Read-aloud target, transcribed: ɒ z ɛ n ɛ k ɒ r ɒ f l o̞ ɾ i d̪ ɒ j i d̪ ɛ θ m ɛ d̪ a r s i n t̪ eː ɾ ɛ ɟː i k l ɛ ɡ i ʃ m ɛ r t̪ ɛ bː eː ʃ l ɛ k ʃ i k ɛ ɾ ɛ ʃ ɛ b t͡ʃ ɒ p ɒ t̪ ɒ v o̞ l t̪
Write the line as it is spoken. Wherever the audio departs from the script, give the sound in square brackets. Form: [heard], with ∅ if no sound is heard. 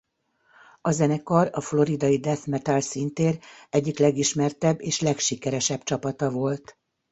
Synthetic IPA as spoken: ɒ z ɛ n ɛ k ɒ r ɒ f l o̞ ɾ i d̪ ɒ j i d̪ ɛ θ m ɛ [t̪] a [l] s i n t̪ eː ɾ ɛ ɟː i k l ɛ ɡ i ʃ m ɛ r t̪ ɛ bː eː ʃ l ɛ k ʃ i k ɛ ɾ ɛ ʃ ɛ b t͡ʃ ɒ p ɒ t̪ ɒ v o̞ l t̪

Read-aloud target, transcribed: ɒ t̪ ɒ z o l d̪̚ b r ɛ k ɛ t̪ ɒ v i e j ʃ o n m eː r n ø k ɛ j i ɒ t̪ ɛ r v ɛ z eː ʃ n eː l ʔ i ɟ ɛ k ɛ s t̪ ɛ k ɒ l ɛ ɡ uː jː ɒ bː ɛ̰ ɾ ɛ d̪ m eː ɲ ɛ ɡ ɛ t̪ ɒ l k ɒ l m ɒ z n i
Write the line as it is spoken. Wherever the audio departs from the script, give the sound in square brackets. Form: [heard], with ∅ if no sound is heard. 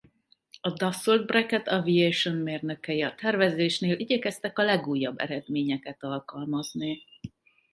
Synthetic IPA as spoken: ɒ [d̪] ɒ [s] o l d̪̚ b r ɛ k ɛ t̪ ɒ v i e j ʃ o n m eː r n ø k ɛ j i ɒ t̪ ɛ r v ɛ z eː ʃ n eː l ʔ i ɟ ɛ k ɛ s t̪ ɛ k ɒ l ɛ ɡ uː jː ɒ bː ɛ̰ ɾ ɛ d̪ m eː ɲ ɛ [k] ɛ t̪ ɒ l k ɒ l m ɒ z n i

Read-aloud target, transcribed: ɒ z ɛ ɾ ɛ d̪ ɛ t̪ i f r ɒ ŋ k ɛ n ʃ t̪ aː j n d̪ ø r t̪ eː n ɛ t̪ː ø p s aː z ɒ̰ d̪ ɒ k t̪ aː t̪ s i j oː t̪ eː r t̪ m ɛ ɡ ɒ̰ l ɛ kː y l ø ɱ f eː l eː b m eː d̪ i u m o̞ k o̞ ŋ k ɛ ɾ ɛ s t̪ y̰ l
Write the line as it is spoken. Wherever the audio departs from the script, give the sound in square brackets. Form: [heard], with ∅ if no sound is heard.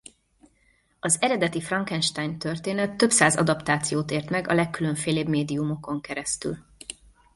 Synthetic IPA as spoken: ɒ z ɛ ɾ ɛ d̪ ɛ t̪ i f r ɒ ŋ k ɛ n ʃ t̪ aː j n [t̪] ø r t̪ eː n ɛ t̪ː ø p s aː z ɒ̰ d̪ ɒ [p] t̪ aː t̪ s i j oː t̪ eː r t̪ m ɛ ɡ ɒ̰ l ɛ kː y l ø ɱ f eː l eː b m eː d̪ i u m o̞ k o̞ ŋ k ɛ ɾ ɛ s t̪ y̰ l

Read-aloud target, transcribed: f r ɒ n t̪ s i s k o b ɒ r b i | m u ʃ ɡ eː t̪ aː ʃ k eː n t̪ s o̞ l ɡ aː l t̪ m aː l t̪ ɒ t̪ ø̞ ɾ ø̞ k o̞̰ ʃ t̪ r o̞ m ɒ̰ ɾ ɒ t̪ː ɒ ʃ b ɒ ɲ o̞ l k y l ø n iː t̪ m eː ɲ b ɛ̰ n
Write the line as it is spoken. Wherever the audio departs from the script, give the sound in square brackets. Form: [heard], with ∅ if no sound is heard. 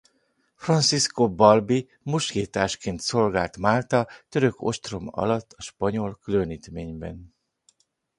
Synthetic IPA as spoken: f r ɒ n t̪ s i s k o b ɒ [l] b i | m u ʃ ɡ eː t̪ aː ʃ k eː n t̪ s o̞ l ɡ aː l t̪ m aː l t̪ ɒ t̪ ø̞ ɾ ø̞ k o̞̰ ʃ t̪ r o̞ m ɒ̰ [l] ɒ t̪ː ɒ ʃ [p] ɒ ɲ o̞ l k y l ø n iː t̪ m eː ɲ b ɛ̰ n

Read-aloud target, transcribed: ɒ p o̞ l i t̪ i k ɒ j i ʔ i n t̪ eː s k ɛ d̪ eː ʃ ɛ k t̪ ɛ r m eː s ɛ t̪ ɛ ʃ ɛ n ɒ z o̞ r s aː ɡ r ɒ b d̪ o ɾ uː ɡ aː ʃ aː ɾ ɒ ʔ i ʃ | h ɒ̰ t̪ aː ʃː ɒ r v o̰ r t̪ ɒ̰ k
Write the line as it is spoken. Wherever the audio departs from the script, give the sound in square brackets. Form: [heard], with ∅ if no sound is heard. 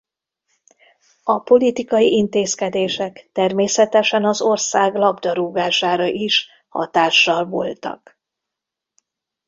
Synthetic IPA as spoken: ɒ p o̞ l i t̪ i k ɒ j i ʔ i n t̪ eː s k ɛ d̪ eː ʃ ɛ k t̪ ɛ r m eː s ɛ t̪ ɛ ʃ ɛ n ɒ z o̞ r s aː ɡ [l] ɒ b d̪ [ɒ] ɾ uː ɡ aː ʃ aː ɾ ɒ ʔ i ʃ | h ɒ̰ t̪ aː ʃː ɒ [l] v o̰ [l] t̪ ɒ̰ k

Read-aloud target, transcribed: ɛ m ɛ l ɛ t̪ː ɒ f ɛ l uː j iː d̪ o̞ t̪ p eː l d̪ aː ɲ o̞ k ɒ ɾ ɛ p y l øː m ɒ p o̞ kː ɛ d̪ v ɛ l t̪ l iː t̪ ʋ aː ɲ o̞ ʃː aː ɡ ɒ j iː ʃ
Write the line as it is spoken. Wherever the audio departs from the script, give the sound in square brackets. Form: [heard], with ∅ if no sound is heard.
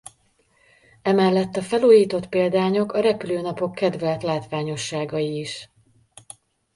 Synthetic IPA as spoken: ɛ m ɛ [lː] ɛ t̪ː ɒ f ɛ l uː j iː [t̪] o̞ t̪ p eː l d̪ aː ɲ o̞ k ɒ ɾ ɛ p y l øː [n] ɒ p o̞ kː ɛ d̪ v ɛ l t̪ l [aː] t̪ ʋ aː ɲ o̞ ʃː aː ɡ ɒ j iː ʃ

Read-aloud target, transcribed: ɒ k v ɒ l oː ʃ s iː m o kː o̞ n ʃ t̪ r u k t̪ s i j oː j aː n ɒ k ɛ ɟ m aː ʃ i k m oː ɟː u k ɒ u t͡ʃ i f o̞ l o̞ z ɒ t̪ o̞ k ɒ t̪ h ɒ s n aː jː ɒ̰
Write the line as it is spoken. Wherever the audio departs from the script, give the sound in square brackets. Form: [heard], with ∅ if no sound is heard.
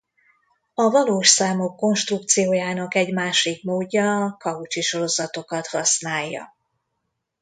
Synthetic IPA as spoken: ɒ [∅] v ɒ l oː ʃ s [aː] m o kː o̞ n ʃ t̪ r u k t̪ s i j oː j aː n ɒ k ɛ ɟ m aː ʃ i k m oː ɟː [ɒ] k ɒ u t͡ʃ i [ʃ] o̞ [ɾ] o̞ z ɒ t̪ o̞ k ɒ t̪ h ɒ s n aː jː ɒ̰

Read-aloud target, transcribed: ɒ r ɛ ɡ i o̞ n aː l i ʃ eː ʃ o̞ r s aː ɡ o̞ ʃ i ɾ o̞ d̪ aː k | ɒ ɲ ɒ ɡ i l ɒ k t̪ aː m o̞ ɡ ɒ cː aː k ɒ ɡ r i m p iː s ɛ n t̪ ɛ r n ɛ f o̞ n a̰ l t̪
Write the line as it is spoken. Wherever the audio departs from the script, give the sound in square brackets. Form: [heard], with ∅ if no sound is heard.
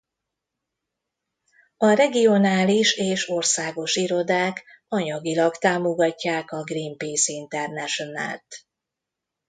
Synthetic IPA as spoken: ɒ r ɛ ɡ i o̞ n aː l i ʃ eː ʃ o̞ r s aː ɡ o̞ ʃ i ɾ o̞ d̪ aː k | ɒ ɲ ɒ ɡ i l ɒ k t̪ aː m o̞ ɡ ɒ cː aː k ɒ ɡ r i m p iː s [i] n t̪ ɛ r n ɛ [ʃ] o̞ n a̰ l t̪

